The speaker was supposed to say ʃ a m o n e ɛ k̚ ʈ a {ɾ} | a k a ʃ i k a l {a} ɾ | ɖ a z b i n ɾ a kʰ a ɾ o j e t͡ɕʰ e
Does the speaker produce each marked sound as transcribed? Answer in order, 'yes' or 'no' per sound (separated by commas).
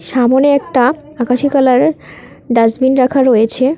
no, yes